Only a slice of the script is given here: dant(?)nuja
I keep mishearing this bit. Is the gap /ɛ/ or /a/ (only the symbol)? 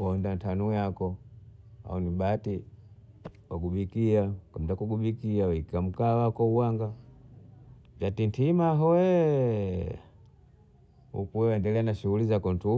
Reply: a